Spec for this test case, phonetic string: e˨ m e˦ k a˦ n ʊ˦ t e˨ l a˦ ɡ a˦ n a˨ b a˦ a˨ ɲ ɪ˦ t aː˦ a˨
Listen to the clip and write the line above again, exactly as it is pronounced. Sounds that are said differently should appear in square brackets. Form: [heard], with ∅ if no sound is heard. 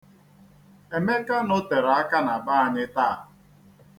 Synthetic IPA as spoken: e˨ m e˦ k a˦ n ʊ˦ t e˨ [ɾ] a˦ [k] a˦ n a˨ b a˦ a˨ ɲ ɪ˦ t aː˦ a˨